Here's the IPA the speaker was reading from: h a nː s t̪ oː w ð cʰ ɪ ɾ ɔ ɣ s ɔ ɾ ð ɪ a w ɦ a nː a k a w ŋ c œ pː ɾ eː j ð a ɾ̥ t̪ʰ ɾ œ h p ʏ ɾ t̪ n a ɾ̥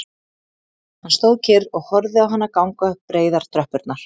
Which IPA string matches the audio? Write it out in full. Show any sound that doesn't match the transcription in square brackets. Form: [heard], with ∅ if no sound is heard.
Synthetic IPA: h a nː s t̪ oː w ð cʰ ɪ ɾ ɔ ɣ [h] ɔ ɾ ð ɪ a w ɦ a nː a k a w ŋ [k] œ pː ɾ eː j ð a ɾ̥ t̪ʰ ɾ œ h p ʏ ɾ t̪ n a ɾ̥